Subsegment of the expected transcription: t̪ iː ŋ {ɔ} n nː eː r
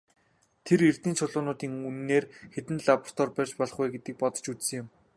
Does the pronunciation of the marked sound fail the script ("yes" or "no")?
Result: yes